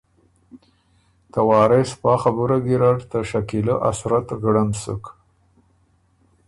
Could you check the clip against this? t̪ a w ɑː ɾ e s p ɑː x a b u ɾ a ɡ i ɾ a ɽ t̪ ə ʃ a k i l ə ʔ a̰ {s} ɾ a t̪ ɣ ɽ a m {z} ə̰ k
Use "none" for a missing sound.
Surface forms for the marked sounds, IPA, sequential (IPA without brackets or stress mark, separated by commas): s, s